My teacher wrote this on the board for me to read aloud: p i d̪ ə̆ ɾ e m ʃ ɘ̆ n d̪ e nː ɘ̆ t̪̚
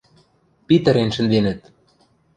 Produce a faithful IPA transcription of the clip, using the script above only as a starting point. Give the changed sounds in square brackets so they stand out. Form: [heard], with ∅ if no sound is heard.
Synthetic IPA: p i [t̪] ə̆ ɾ e [n] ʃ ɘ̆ n d̪ e [n] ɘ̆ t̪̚